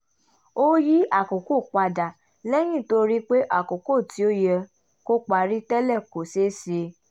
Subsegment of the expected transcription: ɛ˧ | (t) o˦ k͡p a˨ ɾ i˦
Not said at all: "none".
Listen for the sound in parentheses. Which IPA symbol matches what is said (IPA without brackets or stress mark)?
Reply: k